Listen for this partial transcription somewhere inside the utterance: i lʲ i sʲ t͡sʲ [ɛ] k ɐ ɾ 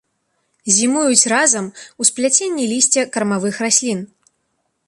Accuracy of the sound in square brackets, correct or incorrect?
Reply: correct